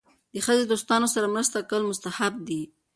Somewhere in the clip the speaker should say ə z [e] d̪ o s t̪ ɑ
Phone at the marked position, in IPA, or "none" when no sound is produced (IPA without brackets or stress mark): e